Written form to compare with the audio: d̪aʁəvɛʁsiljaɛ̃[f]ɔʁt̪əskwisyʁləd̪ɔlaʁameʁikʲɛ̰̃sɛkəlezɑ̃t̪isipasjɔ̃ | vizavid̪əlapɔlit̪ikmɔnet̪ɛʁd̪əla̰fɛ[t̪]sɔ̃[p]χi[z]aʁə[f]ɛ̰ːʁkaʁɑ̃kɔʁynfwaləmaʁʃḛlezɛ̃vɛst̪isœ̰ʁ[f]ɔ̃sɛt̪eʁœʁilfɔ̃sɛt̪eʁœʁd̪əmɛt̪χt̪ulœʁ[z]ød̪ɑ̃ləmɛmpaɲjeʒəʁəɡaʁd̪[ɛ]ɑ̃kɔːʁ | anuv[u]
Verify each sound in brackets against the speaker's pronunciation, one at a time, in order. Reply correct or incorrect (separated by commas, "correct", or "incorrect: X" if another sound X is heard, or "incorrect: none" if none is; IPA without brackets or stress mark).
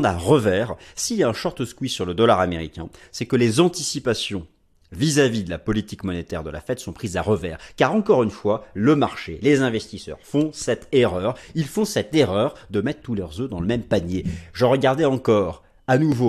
incorrect: ʃ, correct, correct, correct, incorrect: v, correct, correct, correct, incorrect: o